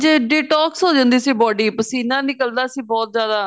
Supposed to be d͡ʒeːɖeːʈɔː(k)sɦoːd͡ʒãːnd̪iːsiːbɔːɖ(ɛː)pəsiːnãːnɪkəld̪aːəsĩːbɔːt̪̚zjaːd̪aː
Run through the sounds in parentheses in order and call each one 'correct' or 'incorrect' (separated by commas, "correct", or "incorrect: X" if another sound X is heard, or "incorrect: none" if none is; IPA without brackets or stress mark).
correct, incorrect: iː